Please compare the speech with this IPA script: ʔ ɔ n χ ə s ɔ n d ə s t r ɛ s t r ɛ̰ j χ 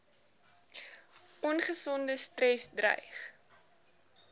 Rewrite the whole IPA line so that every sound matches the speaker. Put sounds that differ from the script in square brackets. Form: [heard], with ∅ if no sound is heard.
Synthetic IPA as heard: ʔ ɔ n χ ə s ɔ n d ə s t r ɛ s [d] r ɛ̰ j χ